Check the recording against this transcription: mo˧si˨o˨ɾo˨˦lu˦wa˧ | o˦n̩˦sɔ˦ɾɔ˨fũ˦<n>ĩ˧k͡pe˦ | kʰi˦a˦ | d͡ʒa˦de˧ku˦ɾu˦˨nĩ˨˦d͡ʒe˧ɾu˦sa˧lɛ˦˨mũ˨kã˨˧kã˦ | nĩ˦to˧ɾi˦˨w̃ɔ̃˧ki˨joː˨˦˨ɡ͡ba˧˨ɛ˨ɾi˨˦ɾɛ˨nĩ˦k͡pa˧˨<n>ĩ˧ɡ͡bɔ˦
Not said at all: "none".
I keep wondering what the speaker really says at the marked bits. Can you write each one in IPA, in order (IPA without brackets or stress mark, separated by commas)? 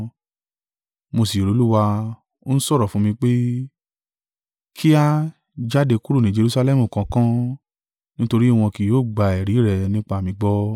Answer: m, m